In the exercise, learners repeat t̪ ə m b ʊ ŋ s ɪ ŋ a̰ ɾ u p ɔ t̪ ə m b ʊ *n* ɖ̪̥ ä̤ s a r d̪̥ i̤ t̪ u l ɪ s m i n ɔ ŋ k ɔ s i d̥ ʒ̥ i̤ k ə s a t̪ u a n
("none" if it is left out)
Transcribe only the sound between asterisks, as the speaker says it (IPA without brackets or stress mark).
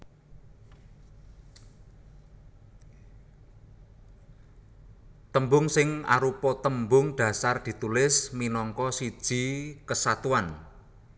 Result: ŋ